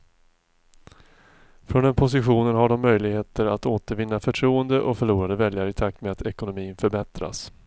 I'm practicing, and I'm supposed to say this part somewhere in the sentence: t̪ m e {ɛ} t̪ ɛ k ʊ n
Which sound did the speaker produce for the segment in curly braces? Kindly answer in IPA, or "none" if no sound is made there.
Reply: a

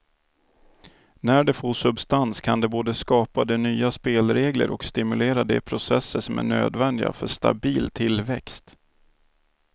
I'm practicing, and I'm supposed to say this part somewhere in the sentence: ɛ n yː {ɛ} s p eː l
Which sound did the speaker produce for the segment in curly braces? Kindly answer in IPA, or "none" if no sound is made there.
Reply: a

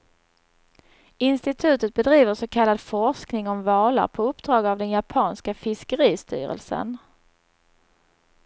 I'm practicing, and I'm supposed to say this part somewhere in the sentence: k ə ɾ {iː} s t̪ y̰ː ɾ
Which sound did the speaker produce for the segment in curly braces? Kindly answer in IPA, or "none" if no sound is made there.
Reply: iː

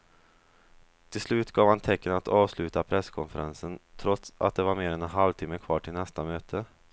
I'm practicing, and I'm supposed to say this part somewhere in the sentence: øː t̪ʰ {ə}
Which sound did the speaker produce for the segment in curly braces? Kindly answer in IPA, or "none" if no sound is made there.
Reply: ə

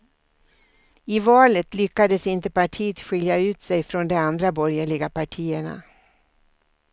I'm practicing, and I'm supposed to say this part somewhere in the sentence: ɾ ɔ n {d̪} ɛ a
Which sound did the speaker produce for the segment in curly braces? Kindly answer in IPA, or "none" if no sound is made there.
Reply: d̪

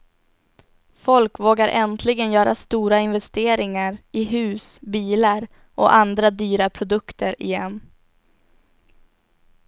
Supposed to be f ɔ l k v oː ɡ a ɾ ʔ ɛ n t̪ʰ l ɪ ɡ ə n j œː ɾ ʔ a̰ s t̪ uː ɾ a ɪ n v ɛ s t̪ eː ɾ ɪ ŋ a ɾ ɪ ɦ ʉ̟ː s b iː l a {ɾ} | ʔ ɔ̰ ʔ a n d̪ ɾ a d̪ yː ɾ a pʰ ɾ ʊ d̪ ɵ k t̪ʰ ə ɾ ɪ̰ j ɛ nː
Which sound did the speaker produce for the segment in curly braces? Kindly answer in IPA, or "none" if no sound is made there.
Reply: ɾ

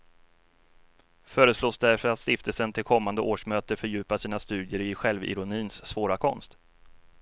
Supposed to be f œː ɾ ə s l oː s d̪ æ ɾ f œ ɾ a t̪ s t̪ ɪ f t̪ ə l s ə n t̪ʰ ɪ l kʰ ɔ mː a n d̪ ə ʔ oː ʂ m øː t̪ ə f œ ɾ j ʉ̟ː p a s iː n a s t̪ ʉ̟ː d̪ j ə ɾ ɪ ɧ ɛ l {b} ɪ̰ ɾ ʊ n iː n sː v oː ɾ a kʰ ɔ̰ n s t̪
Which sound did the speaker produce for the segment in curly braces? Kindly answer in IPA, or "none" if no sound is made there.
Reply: v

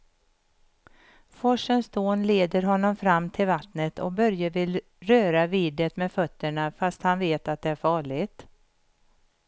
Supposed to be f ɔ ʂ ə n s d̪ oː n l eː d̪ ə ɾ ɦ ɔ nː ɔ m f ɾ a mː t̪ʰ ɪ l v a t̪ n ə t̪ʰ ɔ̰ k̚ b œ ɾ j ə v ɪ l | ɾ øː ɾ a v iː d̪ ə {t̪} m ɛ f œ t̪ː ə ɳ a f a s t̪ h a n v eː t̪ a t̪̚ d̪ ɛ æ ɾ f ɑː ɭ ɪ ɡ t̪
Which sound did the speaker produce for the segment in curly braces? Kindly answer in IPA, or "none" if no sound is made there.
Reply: t̪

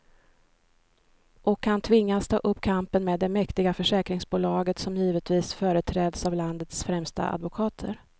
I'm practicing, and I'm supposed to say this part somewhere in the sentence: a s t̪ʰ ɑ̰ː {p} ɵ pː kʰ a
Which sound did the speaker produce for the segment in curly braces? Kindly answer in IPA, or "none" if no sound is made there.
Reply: ʔ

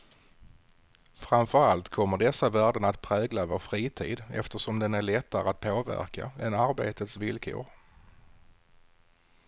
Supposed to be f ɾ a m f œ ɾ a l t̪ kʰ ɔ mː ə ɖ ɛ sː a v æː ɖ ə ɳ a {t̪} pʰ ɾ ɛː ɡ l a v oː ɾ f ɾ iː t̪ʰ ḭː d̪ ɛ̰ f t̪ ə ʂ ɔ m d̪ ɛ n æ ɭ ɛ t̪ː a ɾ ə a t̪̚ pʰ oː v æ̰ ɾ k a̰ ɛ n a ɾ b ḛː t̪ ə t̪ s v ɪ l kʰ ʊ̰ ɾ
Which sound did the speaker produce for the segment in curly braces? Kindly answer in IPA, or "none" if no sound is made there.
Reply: t̪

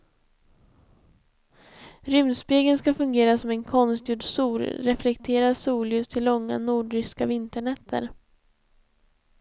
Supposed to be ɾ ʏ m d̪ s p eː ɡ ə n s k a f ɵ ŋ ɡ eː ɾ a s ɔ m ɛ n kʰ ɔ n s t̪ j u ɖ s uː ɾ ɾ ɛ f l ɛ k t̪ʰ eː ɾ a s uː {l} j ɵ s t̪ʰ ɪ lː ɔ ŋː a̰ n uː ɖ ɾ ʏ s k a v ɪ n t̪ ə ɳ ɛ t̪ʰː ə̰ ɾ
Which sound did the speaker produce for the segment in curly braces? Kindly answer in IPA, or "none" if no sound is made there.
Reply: l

